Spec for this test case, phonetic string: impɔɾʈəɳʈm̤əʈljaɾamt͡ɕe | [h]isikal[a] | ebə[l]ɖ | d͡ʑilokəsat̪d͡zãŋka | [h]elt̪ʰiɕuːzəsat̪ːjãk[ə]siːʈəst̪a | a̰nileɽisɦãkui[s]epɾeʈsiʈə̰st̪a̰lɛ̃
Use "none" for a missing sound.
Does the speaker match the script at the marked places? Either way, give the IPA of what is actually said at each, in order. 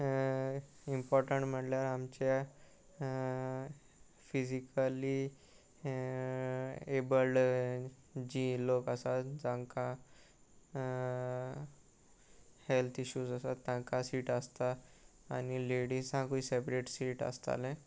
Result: f, i, l, h, a, s

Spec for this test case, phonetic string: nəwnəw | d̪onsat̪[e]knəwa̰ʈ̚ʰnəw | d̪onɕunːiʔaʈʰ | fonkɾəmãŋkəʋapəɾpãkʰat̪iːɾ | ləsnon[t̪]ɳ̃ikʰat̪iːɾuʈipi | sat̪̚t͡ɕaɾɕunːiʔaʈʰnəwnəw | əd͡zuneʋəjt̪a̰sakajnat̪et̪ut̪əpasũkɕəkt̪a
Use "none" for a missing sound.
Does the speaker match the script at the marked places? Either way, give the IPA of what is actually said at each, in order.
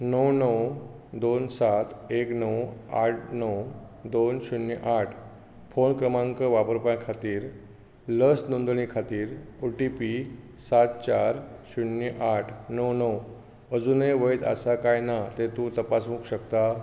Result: e, d̪

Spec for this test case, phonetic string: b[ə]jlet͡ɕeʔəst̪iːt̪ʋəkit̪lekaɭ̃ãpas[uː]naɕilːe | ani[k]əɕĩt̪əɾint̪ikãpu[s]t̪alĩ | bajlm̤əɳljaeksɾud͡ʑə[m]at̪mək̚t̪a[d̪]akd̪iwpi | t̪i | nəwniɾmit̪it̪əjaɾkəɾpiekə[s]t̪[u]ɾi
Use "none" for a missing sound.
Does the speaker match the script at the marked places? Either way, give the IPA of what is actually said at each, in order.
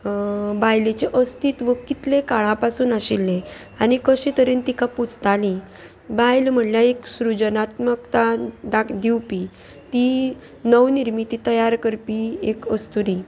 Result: a, uː, k, t͡s, n, d̪, s, u

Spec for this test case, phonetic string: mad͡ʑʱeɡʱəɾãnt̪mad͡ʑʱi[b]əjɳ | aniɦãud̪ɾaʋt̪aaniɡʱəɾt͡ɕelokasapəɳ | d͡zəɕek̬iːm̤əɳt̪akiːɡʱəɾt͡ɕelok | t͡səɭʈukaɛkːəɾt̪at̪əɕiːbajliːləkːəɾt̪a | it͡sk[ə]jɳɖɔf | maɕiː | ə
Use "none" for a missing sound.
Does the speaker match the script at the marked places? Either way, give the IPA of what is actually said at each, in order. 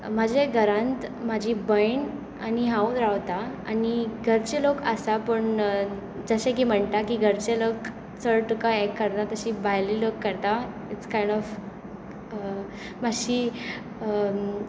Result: b, a

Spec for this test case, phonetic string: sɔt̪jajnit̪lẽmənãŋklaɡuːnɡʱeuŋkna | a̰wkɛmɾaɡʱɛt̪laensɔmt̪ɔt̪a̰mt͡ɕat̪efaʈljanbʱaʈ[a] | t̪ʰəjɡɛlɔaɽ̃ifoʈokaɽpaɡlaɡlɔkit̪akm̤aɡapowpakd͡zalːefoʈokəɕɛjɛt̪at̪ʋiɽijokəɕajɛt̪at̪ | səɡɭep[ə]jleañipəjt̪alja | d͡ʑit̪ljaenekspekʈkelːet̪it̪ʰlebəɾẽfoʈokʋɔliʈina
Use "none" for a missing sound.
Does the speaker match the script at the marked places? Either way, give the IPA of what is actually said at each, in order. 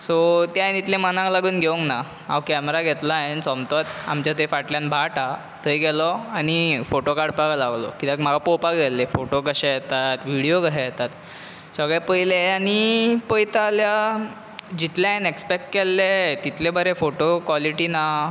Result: a, ə

